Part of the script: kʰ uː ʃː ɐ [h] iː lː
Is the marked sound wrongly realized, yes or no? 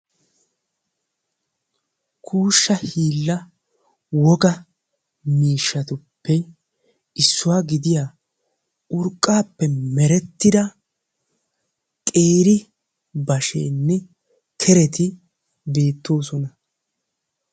no